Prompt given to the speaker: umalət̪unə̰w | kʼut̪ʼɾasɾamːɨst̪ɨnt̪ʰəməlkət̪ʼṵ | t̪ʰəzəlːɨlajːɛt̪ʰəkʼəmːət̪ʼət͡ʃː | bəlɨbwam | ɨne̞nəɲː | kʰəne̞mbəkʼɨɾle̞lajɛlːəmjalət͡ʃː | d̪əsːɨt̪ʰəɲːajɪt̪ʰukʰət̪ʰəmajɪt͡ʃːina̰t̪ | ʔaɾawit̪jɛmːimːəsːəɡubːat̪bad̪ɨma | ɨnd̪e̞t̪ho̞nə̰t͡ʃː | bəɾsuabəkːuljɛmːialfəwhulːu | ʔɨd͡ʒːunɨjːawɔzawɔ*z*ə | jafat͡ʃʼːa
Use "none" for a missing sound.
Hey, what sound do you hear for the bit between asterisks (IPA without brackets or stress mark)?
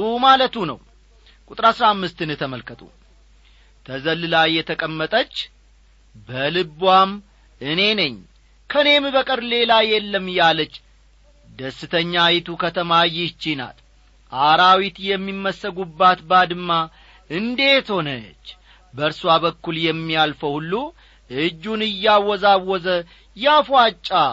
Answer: z